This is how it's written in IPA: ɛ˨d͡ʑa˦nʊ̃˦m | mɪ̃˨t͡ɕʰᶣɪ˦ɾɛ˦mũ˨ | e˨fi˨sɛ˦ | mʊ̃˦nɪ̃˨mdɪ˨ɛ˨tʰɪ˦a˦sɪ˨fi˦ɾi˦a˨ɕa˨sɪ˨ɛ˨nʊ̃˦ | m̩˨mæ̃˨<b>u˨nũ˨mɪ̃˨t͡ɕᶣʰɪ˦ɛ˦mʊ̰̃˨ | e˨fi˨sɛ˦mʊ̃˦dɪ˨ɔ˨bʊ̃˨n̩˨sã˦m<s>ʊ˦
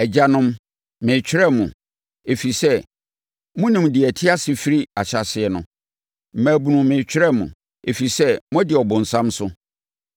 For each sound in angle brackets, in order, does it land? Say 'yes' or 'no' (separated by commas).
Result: yes, yes